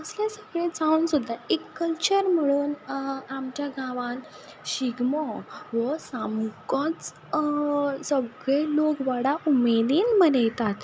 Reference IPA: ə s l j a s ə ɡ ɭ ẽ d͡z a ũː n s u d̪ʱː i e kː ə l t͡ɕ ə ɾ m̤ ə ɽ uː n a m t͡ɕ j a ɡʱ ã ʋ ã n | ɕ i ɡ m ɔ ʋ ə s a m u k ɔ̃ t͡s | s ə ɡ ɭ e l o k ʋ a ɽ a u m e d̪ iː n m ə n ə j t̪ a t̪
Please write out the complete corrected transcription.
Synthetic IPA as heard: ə s l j a s ə ɡ ɭ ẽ d͡z a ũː n s u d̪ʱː a e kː ə l t͡ɕ ə ɾ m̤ ə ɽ uː n a m t͡ɕ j a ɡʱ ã ʋ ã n | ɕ i ɡ m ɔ ʋ ə s a m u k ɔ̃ t͡s | s ə ɡ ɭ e l o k ʋ a ɽ a u m e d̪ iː n m ə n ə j t̪ a t̪

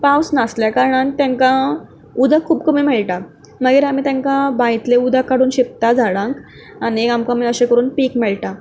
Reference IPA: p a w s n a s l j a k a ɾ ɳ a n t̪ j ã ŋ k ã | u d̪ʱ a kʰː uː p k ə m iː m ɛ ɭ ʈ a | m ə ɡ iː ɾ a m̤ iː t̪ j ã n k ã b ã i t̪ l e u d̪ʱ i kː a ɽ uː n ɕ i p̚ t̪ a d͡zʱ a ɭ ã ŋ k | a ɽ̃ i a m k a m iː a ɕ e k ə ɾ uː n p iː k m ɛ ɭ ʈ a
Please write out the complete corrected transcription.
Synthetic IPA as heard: p a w s n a s l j a k a ɾ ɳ a n t̪ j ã ŋ k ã | u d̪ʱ a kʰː uː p k ə m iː m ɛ ɭ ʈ a | m ə ɡ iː ɾ a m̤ iː t̪ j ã ŋ k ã b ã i t̪ l e u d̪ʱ a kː a ɽ uː n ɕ i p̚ t̪ a d͡zʱ a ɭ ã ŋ k | a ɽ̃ i a m k a m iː ə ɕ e k ə ɾ uː n p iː k m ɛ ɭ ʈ a

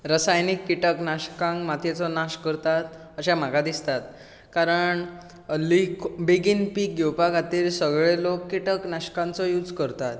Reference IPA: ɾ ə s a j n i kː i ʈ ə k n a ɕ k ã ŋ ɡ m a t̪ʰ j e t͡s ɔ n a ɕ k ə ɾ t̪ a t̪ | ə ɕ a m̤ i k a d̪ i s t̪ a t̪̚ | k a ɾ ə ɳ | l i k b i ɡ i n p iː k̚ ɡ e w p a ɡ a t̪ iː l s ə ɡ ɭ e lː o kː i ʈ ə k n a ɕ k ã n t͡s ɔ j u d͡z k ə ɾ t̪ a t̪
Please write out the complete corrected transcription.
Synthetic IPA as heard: ɾ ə s a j n i kː i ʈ ə k n a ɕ k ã ŋ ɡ m a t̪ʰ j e t͡s ɔ n a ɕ k ə ɾ t̪ a t̪ | ə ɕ a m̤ a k a d̪ i s t̪ a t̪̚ | k a ɾ ə ɳ | l i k b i ɡ i n p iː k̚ ɡ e w p a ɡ a t̪ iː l s ə ɡ ɭ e l o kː i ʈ ə k n a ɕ k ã n t͡s ɔ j u d͡z k ə ɾ t̪ a t̪

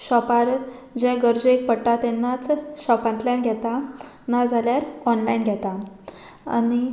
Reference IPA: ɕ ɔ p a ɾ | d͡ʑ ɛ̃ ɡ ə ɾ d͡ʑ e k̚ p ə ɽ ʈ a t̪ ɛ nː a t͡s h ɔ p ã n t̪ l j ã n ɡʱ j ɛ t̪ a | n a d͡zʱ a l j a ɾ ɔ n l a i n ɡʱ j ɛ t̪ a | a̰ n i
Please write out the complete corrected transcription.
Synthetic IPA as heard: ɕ ɔ p a ɾ | d͡ʑ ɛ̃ ɡ ə ɾ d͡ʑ e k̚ p ə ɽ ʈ a t̪ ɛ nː a t͡s ɕ ɔ p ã n t̪ l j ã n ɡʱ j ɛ t̪ a | n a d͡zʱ a l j a ɾ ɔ n l a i n ɡʱ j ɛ t̪ a | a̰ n i

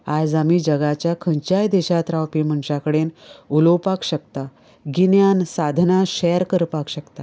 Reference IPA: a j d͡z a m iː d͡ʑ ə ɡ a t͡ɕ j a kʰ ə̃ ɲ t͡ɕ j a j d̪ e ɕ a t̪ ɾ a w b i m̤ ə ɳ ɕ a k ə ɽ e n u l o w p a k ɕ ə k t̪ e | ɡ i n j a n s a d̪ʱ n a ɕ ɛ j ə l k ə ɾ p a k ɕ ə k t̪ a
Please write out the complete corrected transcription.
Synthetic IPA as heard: a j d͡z a m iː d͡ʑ ə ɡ a t͡ɕ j a kʰ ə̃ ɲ t͡ɕ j a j d̪ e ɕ a t̪ ɾ a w p i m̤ ə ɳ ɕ a k ə ɽ e n u l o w p a k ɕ ə k t̪ a | ɡ i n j a n s a d̪ʱ n a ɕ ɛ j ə ɾ k ə ɾ p a k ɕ ə k t̪ a

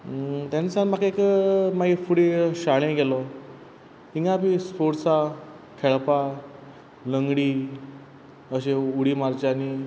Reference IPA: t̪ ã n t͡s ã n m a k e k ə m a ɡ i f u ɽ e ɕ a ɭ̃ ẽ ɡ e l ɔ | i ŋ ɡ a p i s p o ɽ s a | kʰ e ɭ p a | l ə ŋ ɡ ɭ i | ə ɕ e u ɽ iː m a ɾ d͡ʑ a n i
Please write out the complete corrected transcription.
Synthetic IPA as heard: t̪ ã n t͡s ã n m a k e k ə m a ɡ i f u ɽ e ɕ a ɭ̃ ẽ ɡ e l ɔ | i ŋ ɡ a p i s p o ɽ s a | kʰ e ɭ p a | l ə ŋ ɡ ɽ i | ə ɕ e u ɽ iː m a ɾ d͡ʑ a n i

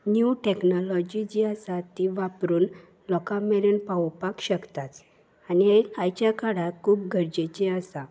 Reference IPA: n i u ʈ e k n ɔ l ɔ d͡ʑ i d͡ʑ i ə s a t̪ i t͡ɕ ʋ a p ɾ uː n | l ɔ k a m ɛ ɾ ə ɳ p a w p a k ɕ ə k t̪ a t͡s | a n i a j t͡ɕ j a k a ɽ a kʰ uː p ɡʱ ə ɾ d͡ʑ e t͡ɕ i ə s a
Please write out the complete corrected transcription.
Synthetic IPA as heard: n j u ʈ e k n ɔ l ɔ d͡ʑ i d͡ʑ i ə s a t̪ i ʋ a p ɾ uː n | l ɔ k a m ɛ ɾ ə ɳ p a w p a k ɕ ə k t̪ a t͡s | a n i a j t͡ɕ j a k a ɽ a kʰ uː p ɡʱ ə ɾ d͡ʑ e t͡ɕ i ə s a

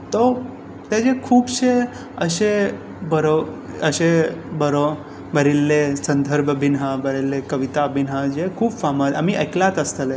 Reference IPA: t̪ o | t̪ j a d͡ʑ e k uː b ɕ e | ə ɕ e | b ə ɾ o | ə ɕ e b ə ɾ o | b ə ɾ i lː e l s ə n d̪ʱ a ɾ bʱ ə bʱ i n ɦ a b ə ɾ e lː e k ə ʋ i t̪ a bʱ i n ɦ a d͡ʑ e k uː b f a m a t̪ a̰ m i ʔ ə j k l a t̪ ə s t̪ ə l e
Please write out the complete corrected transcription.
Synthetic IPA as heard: t̪ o | t̪ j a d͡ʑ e kʰ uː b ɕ e | ə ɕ e | b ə ɾ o | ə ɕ e b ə ɾ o | b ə ɾ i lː e s ə n d̪ʱ ə ɾ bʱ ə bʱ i n ɦ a b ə ɾ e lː e k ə ʋ i t̪ a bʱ i n ɦ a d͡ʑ e kʰ uː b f a m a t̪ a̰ m i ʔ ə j k l a t̪ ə s t̪ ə l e

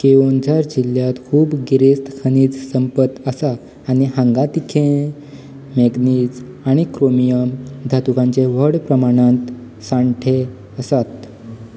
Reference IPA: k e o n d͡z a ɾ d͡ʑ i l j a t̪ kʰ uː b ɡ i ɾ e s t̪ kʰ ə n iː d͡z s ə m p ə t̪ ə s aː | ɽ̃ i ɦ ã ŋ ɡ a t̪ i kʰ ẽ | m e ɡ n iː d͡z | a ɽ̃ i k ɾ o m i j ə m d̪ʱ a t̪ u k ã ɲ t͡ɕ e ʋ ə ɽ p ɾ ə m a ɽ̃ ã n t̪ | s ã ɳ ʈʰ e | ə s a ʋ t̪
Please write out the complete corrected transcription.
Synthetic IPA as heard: k e o n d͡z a ɾ d͡ʑ i l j a t̪ kʰ uː b ɡ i ɾ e s t̪ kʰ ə n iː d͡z s ə m p ə t̪ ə s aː | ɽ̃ i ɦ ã ŋ ɡ a t̪ i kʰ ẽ | m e ɡ n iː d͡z | a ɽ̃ i k ɾ o m i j ə m d̪ʱ a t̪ u k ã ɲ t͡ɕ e ʋ ə ɽ p ɾ ə m a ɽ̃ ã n t̪ | s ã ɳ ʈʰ e | ə s a t̪

